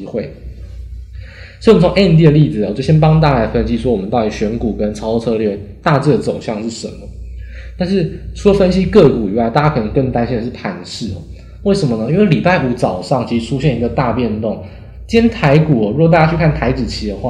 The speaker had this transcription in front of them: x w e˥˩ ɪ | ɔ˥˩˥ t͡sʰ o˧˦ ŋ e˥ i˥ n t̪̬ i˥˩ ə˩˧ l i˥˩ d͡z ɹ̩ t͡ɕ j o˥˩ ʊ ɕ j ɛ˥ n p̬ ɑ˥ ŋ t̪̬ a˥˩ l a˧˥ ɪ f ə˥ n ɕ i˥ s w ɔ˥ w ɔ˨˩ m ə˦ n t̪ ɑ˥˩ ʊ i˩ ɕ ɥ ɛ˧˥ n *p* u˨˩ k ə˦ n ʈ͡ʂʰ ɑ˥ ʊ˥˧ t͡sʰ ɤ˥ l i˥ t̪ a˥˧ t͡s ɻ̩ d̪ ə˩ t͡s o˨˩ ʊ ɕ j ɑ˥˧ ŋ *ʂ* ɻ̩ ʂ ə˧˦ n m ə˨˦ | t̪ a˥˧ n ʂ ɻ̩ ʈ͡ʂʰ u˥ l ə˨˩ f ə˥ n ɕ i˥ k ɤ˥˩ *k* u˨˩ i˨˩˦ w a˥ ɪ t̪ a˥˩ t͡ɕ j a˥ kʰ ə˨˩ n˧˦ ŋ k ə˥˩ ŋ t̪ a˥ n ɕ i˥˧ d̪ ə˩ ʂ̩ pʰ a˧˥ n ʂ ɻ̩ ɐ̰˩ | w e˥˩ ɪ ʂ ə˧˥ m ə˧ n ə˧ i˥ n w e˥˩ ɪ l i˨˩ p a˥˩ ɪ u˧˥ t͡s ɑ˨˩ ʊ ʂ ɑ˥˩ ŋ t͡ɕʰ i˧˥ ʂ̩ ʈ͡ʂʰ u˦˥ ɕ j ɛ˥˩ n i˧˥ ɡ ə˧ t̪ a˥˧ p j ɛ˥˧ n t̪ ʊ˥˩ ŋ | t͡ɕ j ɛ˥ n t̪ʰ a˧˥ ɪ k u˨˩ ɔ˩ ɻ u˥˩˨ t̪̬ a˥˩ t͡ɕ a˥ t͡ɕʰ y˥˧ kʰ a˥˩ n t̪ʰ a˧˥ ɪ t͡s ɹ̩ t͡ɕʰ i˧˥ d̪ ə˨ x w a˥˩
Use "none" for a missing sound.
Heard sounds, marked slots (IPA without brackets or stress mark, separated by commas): k, ʂ, k